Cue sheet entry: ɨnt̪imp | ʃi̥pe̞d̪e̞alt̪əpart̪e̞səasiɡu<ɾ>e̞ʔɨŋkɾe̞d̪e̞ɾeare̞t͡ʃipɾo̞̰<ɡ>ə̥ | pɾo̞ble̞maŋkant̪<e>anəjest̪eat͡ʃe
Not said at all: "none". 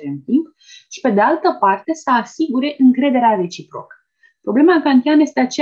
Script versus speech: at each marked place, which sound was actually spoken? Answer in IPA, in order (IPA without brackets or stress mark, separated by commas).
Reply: ɾ, k, i